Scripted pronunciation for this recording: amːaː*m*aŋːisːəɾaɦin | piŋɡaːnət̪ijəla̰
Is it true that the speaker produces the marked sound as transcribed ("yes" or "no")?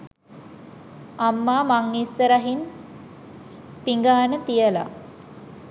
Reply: yes